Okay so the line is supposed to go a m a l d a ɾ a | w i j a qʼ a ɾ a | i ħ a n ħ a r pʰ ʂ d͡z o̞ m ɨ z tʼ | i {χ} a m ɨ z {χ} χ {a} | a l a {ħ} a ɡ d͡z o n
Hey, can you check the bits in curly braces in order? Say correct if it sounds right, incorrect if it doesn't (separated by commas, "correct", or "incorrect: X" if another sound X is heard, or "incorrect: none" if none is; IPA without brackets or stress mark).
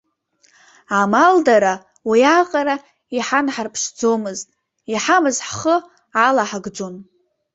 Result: incorrect: ħ, incorrect: ħ, incorrect: ə, correct